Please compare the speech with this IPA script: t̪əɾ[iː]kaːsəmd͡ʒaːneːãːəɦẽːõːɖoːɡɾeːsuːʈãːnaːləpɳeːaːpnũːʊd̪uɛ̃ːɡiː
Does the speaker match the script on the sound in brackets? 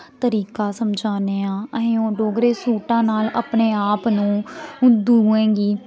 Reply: yes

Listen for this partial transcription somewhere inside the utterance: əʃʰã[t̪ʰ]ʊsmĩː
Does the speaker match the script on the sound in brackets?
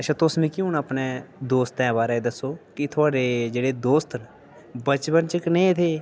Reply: no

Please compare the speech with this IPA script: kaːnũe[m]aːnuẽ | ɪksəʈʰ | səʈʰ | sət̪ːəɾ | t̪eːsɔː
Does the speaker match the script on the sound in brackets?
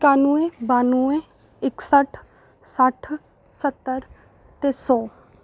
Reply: no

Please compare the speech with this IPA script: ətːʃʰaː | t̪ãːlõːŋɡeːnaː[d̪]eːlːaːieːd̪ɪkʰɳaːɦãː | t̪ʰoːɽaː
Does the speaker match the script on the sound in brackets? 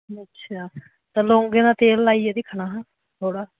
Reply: no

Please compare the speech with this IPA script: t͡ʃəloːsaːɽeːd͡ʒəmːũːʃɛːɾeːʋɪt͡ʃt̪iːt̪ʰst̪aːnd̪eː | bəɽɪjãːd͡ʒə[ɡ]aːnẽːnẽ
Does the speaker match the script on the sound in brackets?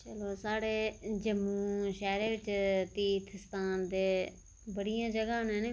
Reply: yes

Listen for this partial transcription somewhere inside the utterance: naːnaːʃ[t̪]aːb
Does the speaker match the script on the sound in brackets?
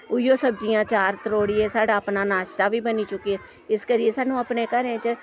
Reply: yes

